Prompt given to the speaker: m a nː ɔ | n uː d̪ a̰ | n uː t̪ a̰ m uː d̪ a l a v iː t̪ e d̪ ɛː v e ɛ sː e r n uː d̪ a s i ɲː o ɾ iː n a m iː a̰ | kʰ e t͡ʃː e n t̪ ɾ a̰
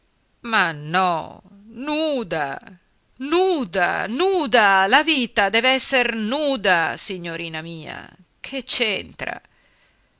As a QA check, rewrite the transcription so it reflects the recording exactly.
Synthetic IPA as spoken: m a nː ɔ | n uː d̪ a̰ | n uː d̪ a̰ n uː d̪ a l a v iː t̪ a d̪ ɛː v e ɛ sː e r n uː d̪ a s i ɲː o ɾ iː n a m iː a̰ | kʰ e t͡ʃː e n t̪ ɾ a̰

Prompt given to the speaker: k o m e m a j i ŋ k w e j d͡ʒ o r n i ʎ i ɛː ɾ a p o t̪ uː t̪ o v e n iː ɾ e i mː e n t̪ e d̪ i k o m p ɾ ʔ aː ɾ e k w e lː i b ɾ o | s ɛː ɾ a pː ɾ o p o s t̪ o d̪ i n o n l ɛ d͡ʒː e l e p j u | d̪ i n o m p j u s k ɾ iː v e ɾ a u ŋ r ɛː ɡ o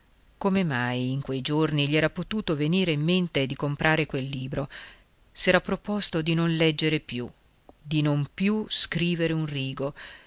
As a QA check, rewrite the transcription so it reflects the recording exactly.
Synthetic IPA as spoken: k o m e m a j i ŋ k w e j d͡ʒ o r n i ʎ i ɛː ɾ a p o t̪ uː t̪ o v e n iː ɾ e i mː e n t̪ e d̪ i k o m p ɾ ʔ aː ɾ e k w e lː iː b ɾ o | s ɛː ɾ a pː ɾ o p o s t̪ o d̪ i n o n l ɛ d͡ʒː e ɾ e p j u | d̪ i n o m p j u s k ɾ iː v e ɾ e u n r iː ɡ o

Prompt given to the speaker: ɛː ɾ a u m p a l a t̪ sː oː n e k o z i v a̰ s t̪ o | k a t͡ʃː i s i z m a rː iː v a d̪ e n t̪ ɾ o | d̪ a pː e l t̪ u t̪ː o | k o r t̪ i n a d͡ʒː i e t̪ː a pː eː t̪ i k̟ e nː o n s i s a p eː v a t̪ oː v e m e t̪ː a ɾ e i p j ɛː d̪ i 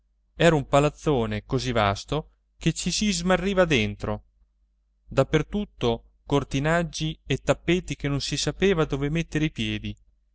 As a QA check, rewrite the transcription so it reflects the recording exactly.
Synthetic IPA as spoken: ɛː ɾ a u m p a l a t̪ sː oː n e k o z i v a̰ s t̪ o | k e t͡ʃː i s i z m a rː iː v a d̪ e n t̪ ɾ o | d̪ a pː e r t̪ u t̪ː o | k o r t̪ i n a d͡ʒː i e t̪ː a pː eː t̪ i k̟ e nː o n s i s a p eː v a d̪ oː v e m e t̪ː e ɾ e i p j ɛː d̪ i

